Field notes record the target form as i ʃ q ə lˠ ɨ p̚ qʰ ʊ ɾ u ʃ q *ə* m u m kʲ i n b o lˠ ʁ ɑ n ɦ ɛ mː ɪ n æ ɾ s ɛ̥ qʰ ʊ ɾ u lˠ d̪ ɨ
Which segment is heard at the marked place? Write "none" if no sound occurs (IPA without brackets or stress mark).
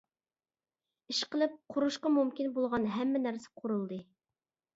ɑ